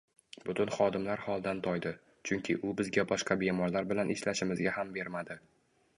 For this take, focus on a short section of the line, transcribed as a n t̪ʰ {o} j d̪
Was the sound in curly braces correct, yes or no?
no